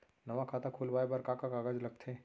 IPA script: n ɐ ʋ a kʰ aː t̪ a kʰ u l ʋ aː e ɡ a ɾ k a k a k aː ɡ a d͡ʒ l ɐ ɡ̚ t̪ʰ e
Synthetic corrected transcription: n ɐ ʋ a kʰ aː t̪ a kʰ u l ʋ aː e b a ɾ k a k a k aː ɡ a d͡ʒ l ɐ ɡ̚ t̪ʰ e